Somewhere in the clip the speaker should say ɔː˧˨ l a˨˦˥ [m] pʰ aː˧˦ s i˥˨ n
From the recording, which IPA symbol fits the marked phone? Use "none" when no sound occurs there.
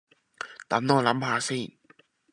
m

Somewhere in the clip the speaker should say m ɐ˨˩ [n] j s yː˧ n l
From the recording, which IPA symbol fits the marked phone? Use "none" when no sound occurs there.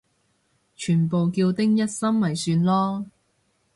none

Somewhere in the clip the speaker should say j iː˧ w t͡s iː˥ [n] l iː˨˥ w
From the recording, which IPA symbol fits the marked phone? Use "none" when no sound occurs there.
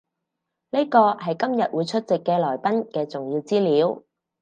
none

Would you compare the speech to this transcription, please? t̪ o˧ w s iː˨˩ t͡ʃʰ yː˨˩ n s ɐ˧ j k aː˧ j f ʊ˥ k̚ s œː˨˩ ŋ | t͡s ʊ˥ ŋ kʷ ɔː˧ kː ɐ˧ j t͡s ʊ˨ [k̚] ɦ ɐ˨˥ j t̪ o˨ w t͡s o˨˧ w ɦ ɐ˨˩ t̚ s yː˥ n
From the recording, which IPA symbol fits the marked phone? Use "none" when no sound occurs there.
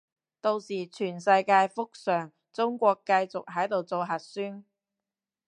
k̚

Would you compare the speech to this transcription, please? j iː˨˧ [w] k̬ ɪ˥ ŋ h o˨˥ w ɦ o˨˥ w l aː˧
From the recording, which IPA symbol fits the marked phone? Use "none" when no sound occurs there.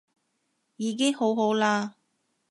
none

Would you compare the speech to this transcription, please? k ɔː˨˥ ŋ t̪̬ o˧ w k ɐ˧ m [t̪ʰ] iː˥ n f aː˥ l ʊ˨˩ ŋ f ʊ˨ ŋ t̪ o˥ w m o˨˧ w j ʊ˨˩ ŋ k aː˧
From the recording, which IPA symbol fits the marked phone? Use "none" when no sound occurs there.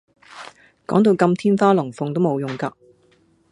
t̪ʰ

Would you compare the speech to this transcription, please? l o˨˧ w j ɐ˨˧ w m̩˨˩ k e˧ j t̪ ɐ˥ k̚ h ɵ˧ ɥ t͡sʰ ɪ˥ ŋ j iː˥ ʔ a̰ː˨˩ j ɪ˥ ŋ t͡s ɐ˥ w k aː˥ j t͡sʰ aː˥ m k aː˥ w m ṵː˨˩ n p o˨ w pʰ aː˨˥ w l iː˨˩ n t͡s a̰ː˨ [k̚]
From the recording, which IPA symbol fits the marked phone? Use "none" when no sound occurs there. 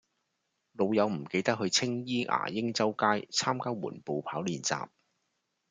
p̚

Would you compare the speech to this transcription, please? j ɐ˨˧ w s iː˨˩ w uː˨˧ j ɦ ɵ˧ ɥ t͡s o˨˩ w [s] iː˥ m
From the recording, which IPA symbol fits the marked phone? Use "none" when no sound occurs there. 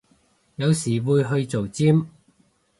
t͡s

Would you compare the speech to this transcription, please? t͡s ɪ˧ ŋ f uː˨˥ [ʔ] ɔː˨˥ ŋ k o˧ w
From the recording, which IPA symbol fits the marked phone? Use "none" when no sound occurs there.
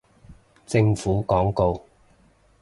k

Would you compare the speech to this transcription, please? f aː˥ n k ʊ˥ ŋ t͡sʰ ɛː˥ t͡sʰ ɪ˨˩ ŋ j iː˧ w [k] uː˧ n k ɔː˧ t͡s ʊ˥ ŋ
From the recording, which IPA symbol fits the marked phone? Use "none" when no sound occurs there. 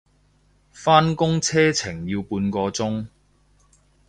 p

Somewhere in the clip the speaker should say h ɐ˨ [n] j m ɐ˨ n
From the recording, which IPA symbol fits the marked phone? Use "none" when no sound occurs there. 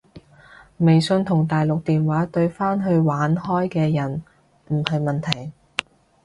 none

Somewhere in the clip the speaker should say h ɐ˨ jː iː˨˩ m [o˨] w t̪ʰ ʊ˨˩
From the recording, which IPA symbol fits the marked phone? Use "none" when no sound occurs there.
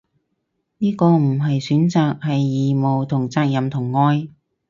o˨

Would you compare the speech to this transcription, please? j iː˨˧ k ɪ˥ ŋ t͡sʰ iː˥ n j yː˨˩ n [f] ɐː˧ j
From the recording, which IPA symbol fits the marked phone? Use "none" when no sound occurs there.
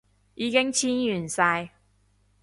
s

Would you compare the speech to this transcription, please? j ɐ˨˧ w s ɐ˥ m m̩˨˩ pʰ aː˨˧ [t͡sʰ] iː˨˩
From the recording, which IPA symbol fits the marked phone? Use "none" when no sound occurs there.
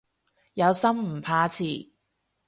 t͡sʰ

